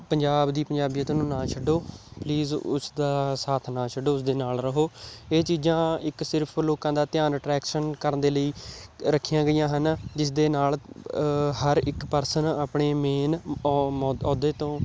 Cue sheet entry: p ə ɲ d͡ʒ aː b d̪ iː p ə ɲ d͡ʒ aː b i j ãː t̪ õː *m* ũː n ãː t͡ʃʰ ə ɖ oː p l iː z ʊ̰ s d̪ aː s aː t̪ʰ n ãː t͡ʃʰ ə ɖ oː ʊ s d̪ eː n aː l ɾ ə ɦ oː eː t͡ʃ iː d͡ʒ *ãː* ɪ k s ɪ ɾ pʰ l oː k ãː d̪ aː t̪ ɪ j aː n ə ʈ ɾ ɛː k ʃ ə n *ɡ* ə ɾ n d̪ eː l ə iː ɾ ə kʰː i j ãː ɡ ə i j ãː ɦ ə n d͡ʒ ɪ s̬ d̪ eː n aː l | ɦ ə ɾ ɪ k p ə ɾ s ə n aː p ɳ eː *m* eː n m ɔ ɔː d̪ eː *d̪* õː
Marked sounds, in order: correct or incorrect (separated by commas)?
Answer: incorrect, correct, incorrect, correct, incorrect